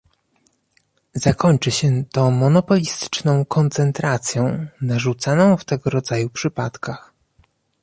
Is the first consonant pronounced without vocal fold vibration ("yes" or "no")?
no